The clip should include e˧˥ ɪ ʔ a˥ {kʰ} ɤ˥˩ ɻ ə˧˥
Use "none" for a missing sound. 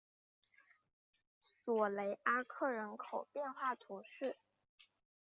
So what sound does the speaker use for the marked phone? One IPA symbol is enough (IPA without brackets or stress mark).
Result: kʰ